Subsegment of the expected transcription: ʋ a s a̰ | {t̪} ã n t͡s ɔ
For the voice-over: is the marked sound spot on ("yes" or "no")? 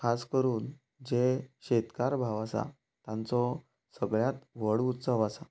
yes